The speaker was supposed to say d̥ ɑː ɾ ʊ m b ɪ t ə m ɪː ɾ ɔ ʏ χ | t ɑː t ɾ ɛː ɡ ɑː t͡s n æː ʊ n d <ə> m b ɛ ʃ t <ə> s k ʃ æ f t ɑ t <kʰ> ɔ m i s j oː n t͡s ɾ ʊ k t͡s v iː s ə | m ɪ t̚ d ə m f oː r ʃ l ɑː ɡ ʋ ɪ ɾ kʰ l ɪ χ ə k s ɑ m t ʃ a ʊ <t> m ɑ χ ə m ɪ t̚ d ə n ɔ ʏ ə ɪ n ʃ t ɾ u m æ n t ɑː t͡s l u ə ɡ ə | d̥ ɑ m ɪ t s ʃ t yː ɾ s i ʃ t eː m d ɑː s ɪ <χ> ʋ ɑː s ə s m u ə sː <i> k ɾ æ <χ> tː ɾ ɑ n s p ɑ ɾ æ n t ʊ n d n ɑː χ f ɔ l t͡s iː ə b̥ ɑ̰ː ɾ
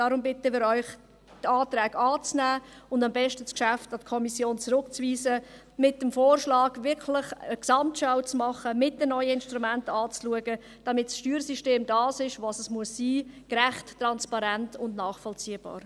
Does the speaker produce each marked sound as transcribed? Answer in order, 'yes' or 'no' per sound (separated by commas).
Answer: no, yes, yes, no, no, no, yes